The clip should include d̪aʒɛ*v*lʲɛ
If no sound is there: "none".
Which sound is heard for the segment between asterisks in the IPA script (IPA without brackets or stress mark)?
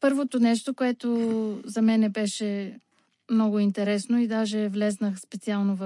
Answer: v